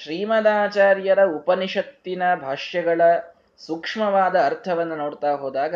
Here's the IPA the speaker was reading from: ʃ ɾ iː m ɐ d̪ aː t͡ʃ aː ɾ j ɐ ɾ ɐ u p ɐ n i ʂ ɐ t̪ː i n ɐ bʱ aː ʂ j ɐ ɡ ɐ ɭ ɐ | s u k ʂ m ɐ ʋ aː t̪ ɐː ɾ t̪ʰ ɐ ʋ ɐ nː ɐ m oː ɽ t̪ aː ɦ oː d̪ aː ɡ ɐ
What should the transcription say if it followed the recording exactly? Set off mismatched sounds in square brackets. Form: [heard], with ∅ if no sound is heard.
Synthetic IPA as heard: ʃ ɾ iː m ɐ d̪ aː t͡ʃ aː ɾ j ɐ ɾ ɐ u p ɐ n i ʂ ɐ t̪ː i n ɐ bʱ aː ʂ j ɐ ɡ ɐ ɭ ɐ | s u k ʂ m ɐ ʋ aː [d̪] ɐː ɾ t̪ʰ ɐ ʋ ɐ nː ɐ [n] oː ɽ t̪ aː ɦ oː d̪ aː ɡ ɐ